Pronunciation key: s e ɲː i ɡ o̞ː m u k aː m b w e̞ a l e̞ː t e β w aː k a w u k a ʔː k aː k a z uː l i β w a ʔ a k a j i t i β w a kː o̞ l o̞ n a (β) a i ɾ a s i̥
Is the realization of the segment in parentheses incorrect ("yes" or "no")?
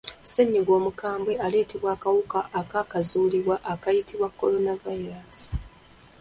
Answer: yes